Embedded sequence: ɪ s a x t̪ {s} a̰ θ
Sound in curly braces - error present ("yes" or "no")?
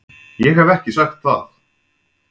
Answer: yes